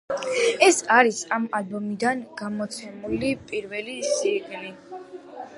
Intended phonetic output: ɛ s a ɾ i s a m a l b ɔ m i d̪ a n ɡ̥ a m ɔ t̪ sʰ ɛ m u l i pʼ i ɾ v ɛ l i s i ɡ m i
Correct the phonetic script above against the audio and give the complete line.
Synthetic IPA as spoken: ɛ s a ɾ i s a m a l b ɔ m i d̪ a n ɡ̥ a m ɔ t̪ sʰ ɛ m u l i pʼ i ɾ v ɛ l i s i ɡ n i